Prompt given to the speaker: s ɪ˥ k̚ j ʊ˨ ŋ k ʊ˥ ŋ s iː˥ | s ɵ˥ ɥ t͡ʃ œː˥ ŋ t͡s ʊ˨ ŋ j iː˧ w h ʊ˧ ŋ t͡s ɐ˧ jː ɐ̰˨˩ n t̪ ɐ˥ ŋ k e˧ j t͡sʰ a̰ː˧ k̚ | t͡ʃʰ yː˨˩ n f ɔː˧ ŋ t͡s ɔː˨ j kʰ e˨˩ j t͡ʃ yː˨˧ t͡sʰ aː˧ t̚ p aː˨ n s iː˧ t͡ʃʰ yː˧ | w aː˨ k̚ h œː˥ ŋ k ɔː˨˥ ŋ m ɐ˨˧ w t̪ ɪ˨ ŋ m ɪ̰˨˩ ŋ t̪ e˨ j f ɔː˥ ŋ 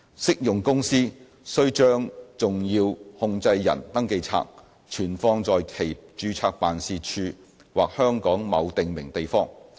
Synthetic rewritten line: s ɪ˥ k̚ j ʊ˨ ŋ k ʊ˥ ŋ s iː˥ | s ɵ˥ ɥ t͡ʃ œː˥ ŋ t͡s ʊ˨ ŋ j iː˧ w h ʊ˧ ŋ t͡s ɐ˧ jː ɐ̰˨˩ n t̪ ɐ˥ ŋ k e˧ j t͡sʰ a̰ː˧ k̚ | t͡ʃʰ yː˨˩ n f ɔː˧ ŋ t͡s ɔː˨ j kʰ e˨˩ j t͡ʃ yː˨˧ t͡sʰ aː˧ k̚ p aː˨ n s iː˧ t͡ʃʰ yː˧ | w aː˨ k̚ h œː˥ ŋ k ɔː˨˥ ŋ m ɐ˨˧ w t̪ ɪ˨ ŋ m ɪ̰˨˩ ŋ t̪ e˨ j f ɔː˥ ŋ